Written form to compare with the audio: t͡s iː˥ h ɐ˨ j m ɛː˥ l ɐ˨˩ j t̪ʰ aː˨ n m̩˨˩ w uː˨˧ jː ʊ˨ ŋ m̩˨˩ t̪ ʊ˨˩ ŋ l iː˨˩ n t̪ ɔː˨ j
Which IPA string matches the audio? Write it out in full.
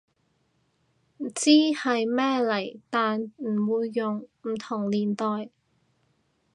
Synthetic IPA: t͡s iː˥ h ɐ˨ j m ɛː˥ l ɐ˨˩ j t̪ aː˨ n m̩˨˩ w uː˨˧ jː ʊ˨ ŋ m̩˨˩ t̪ʰ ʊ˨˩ ŋ l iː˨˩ n t̪ ɔː˨ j

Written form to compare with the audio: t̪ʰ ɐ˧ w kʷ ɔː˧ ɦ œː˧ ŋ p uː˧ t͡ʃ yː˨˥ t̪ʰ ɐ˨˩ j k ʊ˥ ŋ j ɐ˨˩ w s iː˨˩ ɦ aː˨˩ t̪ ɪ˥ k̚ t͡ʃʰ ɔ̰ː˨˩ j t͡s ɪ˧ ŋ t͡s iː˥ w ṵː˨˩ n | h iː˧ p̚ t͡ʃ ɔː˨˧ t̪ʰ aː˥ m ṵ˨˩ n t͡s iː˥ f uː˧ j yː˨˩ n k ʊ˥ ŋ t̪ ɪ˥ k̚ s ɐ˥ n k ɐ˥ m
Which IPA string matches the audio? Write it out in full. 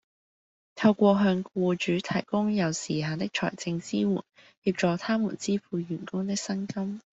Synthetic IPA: t̪ʰ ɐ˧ w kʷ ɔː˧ ɦ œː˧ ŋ k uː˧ t͡ʃ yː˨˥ t̪ʰ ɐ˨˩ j k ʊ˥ ŋ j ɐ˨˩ w s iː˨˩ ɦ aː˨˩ t̪ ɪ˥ k̚ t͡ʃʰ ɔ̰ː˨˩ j t͡s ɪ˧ ŋ t͡s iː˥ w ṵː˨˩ n | h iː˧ p̚ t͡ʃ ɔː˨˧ t̪ʰ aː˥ m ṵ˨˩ n t͡s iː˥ f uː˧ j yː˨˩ n k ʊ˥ ŋ t̪ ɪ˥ k̚ s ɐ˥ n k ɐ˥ m

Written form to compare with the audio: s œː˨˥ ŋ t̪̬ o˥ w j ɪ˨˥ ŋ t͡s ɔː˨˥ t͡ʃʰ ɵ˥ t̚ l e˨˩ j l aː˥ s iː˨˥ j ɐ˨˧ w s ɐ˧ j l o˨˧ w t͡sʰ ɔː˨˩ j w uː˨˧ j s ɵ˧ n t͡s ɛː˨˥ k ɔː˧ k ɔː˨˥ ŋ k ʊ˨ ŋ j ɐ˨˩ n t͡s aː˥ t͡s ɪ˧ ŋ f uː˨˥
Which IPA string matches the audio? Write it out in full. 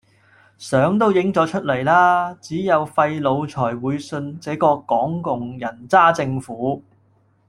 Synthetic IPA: s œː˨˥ ŋ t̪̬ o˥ w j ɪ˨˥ ŋ t͡s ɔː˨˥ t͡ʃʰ ɵ˥ t̚ l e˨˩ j l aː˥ t͡s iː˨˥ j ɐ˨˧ w f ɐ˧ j l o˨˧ w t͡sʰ ɔː˨˩ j w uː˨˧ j s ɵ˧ n t͡s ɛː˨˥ k ɔː˧ k ɔː˨˥ ŋ k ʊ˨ ŋ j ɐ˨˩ n t͡s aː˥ t͡s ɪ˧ ŋ f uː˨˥

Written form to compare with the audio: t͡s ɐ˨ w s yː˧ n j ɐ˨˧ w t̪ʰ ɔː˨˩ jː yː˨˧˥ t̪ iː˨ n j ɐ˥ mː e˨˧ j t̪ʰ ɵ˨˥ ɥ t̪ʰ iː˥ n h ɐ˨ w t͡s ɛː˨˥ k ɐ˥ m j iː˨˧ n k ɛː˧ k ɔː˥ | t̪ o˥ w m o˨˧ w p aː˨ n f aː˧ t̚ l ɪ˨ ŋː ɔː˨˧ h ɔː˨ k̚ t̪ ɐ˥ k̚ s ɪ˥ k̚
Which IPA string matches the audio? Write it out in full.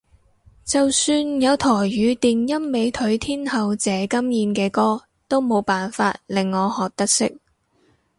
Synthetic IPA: t͡s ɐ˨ w s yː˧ n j ɐ˨˧ w t̪ʰ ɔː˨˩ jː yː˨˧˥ t̪ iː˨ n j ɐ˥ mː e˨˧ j t̪ʰ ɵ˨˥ ɥ t̪ʰ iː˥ n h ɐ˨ w t͡s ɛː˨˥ k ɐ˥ m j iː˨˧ n k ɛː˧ k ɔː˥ | t̪ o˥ w m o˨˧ w p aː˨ n f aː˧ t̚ l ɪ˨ ŋː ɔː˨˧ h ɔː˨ k̚ t̪ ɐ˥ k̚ s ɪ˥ k̚

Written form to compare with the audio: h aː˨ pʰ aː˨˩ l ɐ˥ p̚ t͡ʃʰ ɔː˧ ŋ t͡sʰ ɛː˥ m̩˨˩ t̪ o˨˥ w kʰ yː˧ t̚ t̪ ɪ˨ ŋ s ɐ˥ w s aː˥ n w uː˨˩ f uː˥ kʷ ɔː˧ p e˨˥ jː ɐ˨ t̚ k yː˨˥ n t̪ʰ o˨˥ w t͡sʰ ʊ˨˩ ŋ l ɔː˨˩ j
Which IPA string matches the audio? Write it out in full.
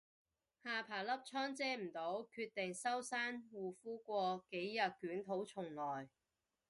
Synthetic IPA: h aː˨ pʰ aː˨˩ l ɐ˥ p̚ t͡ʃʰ ɔː˥ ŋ t͡s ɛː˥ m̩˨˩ t̪ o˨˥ w kʰ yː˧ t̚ t̪ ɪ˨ ŋ s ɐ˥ w s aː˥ n w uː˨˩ f uː˥ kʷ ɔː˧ k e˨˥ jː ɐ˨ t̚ k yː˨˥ n t̪ʰ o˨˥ w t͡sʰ ʊ˨˩ ŋ l ɔː˨˩ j

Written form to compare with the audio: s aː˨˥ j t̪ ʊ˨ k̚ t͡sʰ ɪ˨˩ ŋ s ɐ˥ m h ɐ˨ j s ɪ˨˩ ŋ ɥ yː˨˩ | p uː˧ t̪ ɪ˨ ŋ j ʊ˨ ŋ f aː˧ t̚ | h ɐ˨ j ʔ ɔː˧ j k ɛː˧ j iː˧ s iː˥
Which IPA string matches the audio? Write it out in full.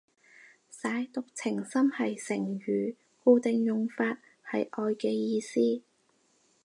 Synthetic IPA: s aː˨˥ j t̪ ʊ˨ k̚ t͡sʰ ɪ˨˩ ŋ s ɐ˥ m h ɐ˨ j s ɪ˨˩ ŋ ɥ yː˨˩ | k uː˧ t̪ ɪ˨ ŋ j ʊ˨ ŋ f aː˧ t̚ | h ɐ˨ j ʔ ɔː˧ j k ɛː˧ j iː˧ s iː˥

